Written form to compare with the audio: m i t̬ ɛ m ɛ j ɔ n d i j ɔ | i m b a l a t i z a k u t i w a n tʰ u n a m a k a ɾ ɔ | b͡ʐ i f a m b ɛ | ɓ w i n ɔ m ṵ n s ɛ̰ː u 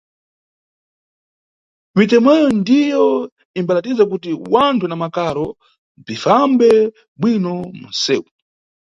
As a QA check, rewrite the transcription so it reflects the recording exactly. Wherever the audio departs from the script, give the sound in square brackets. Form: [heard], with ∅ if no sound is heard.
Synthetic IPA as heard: m i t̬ ɛ m ɛ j ɔ n d i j ɔ | i m b a l a t i z a k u t i w a n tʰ u n a m a k a ɾ ɔ | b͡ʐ i f a m b ɛ | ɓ w i n ɔ m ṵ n s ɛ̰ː u